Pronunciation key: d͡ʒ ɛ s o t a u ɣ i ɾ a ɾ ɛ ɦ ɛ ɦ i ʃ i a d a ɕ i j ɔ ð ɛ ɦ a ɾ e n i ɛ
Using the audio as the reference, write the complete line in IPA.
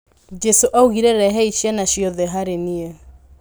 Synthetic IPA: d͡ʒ ɛ s o ʔ a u ɣ i ɾ ɛ ɾ ɛ ɦ ɛ i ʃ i a n a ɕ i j ɔ ð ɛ ɦ a ɾ e n i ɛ